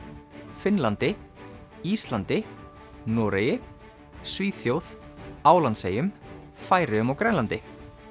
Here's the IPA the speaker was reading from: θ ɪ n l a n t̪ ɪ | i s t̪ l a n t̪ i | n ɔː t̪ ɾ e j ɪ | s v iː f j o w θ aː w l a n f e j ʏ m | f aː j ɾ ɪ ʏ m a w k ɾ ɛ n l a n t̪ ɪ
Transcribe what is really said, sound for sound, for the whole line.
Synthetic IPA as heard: f ɪ n l a n t̪ ɪ | i s t̪ l a n t̪ ɪ | n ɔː ɾ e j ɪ | s v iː θ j o w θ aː w l a n s e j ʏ m | f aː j ɾ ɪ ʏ m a w k ɾ ɛ n l a n t̪ ɪ